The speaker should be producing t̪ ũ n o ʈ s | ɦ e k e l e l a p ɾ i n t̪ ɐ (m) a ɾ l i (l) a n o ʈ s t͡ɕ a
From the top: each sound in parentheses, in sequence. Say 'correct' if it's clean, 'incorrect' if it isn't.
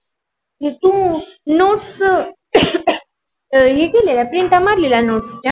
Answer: correct, correct

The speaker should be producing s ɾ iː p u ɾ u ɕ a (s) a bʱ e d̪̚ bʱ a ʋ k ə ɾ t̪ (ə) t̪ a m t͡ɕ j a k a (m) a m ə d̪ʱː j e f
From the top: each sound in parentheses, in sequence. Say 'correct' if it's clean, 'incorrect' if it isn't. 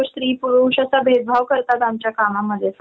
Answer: correct, incorrect: a, correct

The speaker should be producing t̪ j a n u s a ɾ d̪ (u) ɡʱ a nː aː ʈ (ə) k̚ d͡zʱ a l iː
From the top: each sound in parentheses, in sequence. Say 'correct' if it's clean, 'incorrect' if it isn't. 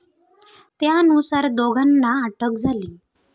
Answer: incorrect: o, correct

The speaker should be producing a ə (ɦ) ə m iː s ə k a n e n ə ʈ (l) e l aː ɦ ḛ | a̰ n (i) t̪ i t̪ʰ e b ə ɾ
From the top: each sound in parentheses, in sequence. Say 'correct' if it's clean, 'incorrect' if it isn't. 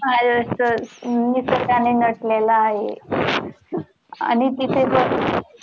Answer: incorrect: none, correct, correct

